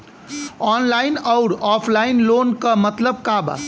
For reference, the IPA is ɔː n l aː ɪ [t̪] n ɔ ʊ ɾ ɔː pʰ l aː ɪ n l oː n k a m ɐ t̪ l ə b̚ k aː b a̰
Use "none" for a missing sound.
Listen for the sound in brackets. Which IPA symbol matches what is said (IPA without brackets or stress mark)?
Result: none